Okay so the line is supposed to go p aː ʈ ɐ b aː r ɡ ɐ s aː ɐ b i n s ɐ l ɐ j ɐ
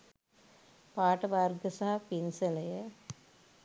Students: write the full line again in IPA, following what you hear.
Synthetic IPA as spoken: p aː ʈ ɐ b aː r ɡ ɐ s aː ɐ p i n s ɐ l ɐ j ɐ